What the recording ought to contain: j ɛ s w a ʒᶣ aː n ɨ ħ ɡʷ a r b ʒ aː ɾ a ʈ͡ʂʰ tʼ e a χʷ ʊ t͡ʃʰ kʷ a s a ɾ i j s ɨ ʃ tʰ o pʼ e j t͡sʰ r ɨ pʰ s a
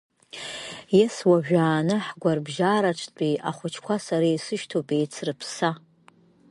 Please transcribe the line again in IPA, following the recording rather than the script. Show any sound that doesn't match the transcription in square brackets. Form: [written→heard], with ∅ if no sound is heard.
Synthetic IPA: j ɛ s w a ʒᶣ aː n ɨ ħ ɡʷ a r b ʒ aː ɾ a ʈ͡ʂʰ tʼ [e→i] a χʷ ʊ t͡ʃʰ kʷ a s a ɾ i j s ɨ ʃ tʰ o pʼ e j t͡sʰ r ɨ pʰ s a